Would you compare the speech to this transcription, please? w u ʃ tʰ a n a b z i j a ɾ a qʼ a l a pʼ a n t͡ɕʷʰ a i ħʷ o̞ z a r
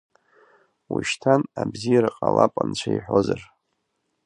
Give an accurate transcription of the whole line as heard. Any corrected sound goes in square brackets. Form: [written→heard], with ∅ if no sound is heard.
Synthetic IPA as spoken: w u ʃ tʰ a n a b z i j a ɾ a qʼ a l a pʼ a n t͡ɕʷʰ a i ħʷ o̞ z a r